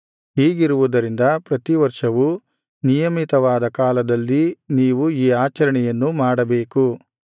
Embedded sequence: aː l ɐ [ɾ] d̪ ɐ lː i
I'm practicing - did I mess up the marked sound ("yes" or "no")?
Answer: yes